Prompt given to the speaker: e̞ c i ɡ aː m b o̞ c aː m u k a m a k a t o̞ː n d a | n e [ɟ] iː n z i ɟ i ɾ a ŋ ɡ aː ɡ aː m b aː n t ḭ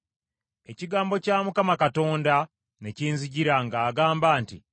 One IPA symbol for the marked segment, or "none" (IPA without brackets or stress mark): c